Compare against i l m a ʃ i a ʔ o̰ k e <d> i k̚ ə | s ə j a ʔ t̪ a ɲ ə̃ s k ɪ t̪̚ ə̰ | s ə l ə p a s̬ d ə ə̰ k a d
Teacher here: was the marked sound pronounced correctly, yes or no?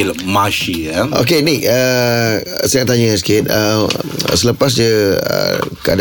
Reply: no